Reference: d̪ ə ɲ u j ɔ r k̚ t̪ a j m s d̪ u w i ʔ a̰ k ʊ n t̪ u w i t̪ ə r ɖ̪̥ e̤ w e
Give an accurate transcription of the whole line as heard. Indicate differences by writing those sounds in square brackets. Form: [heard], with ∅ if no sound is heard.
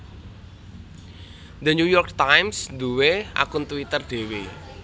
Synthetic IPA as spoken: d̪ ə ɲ u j ɔ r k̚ t̪ a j m s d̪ u w [e] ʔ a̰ k ʊ n t̪ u w i t̪ ə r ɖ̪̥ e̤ w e